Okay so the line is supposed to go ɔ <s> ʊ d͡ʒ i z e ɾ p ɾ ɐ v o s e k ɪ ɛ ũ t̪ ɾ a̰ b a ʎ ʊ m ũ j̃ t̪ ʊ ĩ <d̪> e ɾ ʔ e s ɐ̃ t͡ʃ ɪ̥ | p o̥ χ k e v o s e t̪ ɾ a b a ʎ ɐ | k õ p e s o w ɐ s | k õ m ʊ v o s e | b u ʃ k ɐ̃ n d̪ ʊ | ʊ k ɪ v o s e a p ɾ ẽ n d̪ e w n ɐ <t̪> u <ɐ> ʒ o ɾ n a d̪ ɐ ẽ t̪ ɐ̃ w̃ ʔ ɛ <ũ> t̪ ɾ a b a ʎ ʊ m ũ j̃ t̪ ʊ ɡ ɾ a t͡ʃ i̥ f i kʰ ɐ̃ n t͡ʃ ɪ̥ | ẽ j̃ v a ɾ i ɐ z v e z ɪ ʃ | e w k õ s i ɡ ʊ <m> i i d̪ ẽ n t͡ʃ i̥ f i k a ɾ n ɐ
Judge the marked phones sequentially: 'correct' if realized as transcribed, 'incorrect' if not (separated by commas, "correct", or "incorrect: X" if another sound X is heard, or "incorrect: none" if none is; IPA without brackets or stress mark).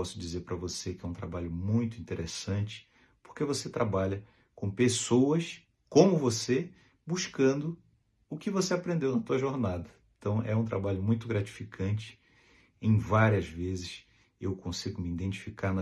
correct, incorrect: t̪, correct, correct, correct, correct